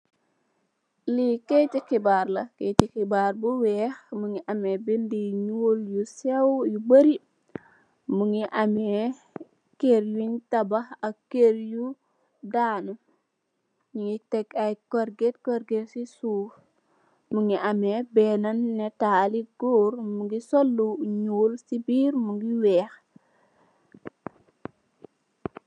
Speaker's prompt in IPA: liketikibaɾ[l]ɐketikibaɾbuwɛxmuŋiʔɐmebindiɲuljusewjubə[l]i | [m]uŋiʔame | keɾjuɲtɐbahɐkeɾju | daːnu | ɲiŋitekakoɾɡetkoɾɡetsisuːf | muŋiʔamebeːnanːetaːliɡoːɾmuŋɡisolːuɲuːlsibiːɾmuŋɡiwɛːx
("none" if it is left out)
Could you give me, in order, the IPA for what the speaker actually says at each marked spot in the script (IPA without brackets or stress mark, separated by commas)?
l, ɾ, m